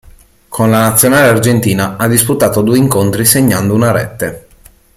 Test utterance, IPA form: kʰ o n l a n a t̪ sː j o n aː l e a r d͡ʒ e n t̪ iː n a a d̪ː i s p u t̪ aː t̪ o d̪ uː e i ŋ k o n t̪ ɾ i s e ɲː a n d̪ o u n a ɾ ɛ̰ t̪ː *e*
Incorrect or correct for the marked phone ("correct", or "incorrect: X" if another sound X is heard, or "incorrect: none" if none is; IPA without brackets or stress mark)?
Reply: correct